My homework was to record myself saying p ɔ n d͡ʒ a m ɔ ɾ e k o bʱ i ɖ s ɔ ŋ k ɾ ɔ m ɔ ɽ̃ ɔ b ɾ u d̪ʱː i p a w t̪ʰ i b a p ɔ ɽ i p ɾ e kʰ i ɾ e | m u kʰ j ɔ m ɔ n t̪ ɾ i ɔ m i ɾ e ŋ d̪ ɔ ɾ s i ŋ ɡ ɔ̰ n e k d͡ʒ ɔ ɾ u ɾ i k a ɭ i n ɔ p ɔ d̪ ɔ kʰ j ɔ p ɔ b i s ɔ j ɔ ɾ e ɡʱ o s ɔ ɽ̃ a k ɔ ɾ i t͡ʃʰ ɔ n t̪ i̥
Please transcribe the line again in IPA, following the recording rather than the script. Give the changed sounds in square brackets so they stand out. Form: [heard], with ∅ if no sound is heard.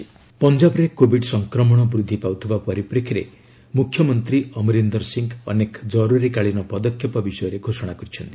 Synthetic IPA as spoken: p ɔ n d͡ʒ a [b] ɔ ɾ e k o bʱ i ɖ s ɔ ŋ k ɾ ɔ m ɔ ɽ̃ ɔ b ɾ u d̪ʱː i p a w t̪ʰ i b a p ɔ [ɾ] i p ɾ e kʰ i ɾ e | m u kʰ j ɔ m ɔ n t̪ ɾ i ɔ m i ɾ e [n] d̪ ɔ ɾ s i ŋ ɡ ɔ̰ n e k d͡ʒ ɔ ɾ u ɾ i k a ɭ i n ɔ p ɔ d̪ ɔ kʰ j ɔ p ɔ b i s ɔ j ɔ ɾ e ɡʱ o s ɔ ɽ̃ a k ɔ ɾ i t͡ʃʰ ɔ n t̪ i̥